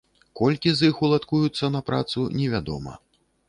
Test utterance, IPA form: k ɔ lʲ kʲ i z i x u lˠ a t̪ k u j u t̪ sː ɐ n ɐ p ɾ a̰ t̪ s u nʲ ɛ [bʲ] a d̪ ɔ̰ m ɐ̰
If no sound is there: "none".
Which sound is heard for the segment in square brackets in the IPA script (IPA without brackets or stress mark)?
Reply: vʲ